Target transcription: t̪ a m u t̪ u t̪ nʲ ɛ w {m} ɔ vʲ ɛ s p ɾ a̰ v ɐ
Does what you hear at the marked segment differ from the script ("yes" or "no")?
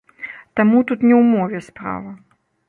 no